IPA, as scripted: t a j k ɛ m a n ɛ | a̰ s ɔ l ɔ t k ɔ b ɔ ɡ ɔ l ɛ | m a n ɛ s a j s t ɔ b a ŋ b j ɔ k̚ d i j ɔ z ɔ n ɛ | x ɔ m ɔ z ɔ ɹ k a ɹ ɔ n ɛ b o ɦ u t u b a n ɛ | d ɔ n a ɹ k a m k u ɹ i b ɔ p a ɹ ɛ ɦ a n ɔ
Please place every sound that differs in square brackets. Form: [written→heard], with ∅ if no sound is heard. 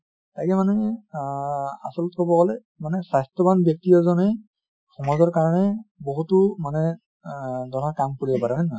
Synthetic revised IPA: t a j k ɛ m a n ɛ | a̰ s ɔ l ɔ t k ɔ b ɔ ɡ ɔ l ɛ | m a n ɛ s a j s t ɔ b a [ŋ→n] b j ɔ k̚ [d→t] i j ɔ z ɔ n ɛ | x ɔ m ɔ z ɔ ɹ k a ɹ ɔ n ɛ b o ɦ u t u [b→m] a n ɛ | d ɔ n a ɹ k a m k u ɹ i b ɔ p a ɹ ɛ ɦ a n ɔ